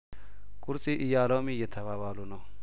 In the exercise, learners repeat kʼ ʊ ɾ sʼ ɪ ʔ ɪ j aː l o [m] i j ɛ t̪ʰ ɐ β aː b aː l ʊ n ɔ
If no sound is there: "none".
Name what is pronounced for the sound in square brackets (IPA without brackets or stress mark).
m